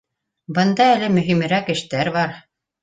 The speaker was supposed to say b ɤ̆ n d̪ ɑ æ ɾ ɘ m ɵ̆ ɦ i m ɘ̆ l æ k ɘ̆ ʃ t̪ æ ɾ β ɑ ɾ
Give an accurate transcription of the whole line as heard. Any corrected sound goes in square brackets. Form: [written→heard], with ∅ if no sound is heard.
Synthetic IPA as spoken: b ɤ̆ n d̪ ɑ æ [ɾ→l] ɘ m ɵ̆ ɦ i m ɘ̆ [l→ɾ] æ k ɘ̆ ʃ t̪ æ ɾ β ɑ ɾ